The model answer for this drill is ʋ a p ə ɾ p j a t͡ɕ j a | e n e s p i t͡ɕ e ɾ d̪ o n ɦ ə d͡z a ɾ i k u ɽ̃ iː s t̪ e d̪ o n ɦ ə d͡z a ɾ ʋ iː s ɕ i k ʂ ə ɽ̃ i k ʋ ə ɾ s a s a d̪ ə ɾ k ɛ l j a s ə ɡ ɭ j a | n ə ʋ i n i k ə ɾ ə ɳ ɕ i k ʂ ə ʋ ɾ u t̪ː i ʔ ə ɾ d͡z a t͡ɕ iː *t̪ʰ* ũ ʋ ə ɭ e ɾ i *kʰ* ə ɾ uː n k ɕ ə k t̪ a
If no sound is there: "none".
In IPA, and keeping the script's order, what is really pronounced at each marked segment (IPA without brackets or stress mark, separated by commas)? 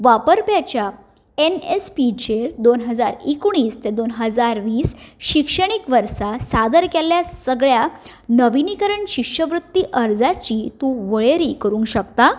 t̪, k